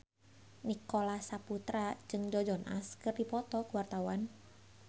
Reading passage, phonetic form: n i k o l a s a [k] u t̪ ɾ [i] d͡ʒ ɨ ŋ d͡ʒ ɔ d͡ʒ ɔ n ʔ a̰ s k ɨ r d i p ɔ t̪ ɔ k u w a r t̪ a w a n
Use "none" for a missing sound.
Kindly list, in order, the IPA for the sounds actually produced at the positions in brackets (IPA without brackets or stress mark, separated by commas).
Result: p, a